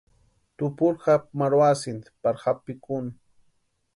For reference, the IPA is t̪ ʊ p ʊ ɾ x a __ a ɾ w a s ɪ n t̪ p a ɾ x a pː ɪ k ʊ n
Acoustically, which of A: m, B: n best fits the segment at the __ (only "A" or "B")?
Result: A